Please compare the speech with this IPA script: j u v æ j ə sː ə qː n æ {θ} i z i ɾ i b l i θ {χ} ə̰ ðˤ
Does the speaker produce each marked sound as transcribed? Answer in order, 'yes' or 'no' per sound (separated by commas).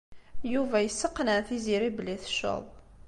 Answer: yes, no